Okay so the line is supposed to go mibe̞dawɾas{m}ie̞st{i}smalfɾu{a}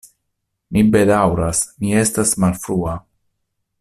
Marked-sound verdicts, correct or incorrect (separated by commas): correct, incorrect, correct